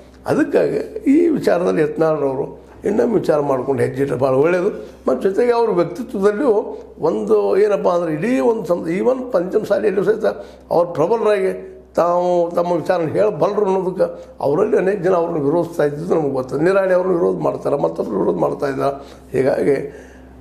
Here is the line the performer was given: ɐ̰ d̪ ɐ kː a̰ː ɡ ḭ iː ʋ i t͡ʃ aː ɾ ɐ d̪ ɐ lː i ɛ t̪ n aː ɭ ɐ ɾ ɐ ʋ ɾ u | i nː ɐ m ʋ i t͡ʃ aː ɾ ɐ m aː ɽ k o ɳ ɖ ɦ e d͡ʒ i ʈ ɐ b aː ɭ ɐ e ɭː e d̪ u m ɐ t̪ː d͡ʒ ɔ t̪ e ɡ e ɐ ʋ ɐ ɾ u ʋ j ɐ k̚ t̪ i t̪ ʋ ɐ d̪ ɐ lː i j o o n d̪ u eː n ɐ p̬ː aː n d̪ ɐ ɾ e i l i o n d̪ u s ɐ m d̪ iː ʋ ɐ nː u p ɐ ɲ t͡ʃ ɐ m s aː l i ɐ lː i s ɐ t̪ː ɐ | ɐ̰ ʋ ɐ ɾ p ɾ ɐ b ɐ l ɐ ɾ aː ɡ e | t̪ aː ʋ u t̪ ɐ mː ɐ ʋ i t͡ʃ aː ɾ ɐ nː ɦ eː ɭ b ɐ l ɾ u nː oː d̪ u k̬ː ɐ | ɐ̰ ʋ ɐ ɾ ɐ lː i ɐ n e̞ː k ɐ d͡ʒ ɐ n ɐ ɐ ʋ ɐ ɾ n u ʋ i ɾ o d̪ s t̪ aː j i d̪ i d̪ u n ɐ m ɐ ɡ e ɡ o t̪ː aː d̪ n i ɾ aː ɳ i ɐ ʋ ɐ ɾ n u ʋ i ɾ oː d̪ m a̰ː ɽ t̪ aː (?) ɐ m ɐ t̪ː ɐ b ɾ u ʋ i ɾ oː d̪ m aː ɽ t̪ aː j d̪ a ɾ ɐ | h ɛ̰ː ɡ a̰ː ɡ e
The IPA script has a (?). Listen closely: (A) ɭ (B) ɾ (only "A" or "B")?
B